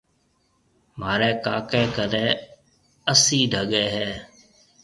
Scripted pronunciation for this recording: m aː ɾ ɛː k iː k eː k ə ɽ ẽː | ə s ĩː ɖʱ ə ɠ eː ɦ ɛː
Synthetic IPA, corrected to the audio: m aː ɾ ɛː k aː k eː k ə ɾ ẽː | ə s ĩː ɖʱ ə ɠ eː ɦ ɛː